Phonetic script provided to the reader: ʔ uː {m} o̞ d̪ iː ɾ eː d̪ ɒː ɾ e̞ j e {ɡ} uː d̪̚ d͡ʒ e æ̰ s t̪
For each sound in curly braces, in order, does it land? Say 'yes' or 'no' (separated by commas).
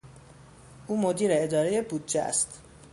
yes, no